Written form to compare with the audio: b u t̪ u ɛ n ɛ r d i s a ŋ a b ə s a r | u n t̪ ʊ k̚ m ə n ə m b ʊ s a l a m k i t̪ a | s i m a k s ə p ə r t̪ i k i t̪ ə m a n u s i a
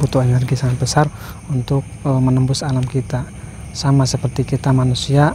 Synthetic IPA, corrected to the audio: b u t̪ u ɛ n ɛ r ɡ i s a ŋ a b ə s a r | u n t̪ ʊ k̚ m ə n ə m b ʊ s a l a m k i t̪ a | s a m a s ə p ə r t̪ i k i t̪ a m a n u s i a